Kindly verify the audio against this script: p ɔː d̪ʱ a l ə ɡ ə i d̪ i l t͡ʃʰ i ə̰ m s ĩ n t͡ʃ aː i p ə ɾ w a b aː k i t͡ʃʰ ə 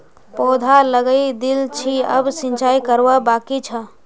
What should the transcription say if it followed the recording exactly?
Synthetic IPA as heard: p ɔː d̪ʱ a l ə ɡ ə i d̪ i l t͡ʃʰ i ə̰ b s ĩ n t͡ʃ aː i k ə ɾ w a b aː k i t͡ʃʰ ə